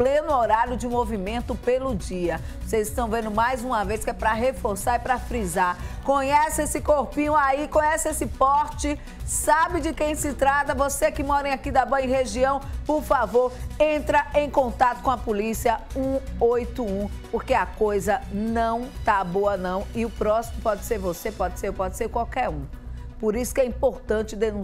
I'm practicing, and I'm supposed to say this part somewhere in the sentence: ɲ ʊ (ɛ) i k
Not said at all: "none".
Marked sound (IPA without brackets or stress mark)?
a